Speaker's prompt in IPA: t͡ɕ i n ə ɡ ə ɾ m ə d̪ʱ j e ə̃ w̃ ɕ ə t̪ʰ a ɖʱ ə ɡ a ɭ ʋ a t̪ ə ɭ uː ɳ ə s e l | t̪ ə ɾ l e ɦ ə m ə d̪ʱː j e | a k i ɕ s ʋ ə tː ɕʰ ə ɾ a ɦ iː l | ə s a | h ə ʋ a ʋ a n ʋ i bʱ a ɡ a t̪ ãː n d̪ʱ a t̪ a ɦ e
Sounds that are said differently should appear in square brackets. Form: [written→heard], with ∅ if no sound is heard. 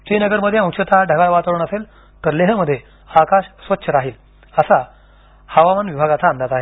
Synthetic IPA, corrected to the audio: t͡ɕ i n ə ɡ ə ɾ m ə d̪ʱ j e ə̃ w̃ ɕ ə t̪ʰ a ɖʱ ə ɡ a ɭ ʋ a t̪ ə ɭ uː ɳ ə s e l | t̪ ə ɾ l e ɦ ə m ə d̪ʱː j e | a k [i→a] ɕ s ʋ ə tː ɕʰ ə ɾ a ɦ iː l | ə s a | h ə ʋ a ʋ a n ʋ i bʱ a ɡ a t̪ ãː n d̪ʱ a t̪ a ɦ e